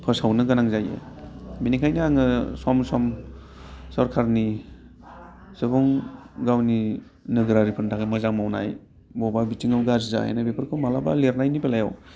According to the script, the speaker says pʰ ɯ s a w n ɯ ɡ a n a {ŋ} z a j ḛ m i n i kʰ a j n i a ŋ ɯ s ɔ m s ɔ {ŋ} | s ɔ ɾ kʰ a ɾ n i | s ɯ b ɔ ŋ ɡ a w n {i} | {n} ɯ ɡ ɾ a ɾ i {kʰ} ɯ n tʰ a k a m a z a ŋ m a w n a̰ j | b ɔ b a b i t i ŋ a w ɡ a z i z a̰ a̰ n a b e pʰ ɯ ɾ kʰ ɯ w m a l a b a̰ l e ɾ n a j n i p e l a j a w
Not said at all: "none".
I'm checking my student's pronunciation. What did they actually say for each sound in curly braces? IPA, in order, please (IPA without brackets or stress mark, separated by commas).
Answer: ŋ, m, i, n, pʰ